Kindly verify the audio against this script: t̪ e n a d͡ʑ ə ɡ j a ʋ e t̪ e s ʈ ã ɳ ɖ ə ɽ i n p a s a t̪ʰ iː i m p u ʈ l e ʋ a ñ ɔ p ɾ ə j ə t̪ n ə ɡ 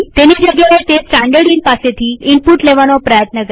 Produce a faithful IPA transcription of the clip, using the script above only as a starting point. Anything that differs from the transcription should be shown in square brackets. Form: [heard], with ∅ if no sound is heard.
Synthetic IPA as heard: t̪ e n [i] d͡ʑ ə ɡ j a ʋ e t̪ e s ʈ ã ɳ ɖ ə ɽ i n p a s [e] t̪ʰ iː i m p u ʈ l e ʋ a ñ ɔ p ɾ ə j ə t̪ n ə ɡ